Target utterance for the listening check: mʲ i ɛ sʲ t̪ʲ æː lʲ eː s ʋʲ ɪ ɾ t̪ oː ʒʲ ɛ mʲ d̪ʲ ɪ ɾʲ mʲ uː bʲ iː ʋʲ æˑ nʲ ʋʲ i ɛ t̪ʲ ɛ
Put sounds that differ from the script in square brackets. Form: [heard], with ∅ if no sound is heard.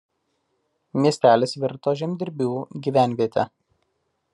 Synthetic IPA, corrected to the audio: mʲ i ɛ sʲ t̪ʲ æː lʲ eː s ʋʲ ɪ ɾ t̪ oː ʒʲ ɛ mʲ d̪ʲ ɪ ɾʲ [bʲ] uː [ɡʲ] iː ʋʲ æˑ nʲ ʋʲ i ɛ t̪ʲ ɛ